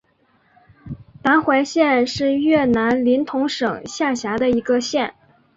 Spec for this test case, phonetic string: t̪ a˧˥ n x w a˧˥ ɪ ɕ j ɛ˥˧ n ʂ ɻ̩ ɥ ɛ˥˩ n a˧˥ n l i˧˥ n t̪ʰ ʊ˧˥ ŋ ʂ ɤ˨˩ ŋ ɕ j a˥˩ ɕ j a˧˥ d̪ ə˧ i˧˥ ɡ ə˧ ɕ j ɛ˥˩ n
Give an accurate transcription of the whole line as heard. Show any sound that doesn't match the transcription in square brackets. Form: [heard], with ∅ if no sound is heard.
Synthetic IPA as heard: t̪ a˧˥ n x w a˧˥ ɪ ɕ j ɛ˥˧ n ʂ ɻ̩ ɥ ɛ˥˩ n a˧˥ n l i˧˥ n t̪ʰ ʊ˧˥ ŋ ʂ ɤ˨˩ ŋ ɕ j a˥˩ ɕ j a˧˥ d̪ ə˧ i˧˥ ɡ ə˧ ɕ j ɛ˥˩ n